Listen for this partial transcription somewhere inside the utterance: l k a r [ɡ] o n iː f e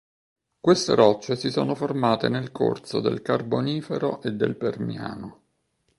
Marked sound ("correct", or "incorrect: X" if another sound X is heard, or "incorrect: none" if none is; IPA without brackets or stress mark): incorrect: b